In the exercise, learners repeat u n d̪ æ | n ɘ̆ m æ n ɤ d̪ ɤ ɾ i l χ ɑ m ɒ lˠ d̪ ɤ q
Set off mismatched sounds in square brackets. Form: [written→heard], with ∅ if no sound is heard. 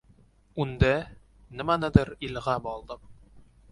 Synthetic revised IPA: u n d̪ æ | n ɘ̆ m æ n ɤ d̪ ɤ ɾ i l [χ→ʁ] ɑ [m→b] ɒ lˠ d̪ ɤ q